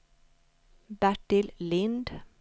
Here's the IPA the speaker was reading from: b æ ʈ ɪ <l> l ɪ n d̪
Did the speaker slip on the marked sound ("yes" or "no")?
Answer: no